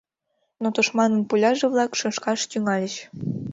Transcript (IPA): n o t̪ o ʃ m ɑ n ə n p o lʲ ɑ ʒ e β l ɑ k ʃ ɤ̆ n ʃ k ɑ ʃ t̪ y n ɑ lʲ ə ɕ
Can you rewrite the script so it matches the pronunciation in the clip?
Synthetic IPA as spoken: n o t̪ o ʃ m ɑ n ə n p u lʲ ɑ ʒ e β l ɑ k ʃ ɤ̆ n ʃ k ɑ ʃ t̪ y ŋ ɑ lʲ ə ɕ